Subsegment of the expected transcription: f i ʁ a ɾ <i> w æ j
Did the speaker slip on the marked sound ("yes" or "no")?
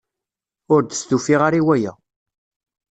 no